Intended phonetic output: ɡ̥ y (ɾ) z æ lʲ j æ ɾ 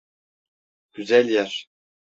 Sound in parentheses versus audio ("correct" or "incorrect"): incorrect